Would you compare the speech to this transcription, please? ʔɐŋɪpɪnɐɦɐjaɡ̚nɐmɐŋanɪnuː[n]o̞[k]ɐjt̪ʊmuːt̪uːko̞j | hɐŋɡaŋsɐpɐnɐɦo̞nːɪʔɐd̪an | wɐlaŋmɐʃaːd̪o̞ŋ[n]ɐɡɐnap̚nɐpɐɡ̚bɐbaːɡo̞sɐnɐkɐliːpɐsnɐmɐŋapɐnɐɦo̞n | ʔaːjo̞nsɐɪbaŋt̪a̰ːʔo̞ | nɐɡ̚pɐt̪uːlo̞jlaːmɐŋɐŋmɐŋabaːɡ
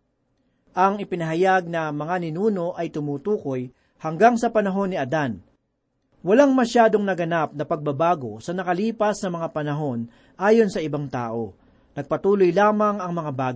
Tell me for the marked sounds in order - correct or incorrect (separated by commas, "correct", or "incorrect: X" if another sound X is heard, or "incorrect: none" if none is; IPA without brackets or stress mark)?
correct, incorrect: ʔ, correct